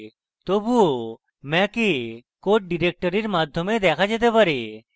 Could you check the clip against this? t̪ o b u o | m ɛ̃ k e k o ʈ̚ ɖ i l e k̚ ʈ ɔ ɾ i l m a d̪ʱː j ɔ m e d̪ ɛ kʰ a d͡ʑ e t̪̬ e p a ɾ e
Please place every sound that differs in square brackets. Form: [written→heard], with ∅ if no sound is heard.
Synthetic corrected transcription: t̪ o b u o | m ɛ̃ k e k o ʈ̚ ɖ i [l→ɾ] e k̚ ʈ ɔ ɾ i [l→ɾ] m a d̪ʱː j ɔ m e d̪ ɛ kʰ a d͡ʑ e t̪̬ e p a ɾ e